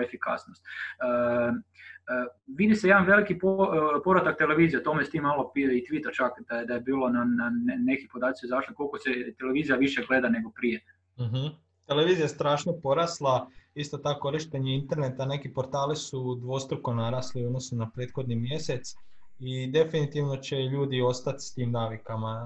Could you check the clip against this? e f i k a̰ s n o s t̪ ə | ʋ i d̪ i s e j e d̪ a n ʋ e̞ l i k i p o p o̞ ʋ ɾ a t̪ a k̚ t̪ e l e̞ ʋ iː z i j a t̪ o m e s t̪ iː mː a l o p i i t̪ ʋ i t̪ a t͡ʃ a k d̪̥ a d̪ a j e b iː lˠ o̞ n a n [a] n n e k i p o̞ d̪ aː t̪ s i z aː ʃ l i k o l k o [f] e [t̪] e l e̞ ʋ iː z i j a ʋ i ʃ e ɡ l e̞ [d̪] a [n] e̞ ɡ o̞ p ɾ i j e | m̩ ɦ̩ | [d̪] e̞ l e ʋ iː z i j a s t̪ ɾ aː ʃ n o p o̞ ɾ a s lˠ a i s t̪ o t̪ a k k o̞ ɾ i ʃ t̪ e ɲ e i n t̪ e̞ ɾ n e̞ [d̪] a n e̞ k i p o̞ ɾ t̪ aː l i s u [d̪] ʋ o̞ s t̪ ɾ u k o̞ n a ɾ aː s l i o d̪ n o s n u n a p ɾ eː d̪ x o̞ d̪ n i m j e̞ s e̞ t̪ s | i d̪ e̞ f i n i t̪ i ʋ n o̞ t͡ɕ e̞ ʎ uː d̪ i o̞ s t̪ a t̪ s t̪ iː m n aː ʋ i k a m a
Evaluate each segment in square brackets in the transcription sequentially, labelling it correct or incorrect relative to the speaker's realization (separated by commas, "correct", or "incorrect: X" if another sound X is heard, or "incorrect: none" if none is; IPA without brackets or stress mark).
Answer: correct, incorrect: s, correct, correct, correct, incorrect: t̪, incorrect: t̪, correct